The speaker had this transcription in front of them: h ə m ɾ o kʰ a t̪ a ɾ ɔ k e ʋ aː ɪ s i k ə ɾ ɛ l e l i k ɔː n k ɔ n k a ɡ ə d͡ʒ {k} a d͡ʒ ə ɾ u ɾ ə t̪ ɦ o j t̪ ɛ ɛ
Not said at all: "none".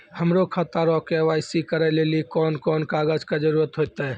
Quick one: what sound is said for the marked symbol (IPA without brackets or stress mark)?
k